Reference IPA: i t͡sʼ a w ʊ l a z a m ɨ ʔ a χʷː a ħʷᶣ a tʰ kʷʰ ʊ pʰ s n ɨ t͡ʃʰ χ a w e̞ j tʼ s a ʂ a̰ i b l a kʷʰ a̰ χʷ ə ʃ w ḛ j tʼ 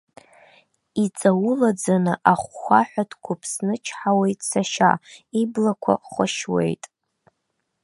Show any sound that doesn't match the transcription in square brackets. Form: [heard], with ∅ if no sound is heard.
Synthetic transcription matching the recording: i t͡sʼ a w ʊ l a [d͡z] a [n] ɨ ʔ a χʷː a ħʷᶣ a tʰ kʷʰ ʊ pʰ s n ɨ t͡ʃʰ [ħ] a w e̞ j tʼ s a [ʃ] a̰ i b l a kʷʰ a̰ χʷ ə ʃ w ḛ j tʼ